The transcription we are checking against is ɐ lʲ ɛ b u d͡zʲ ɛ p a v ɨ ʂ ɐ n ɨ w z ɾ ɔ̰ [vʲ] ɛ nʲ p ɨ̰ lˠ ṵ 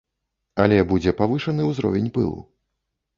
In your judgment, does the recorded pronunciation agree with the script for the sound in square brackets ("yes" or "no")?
yes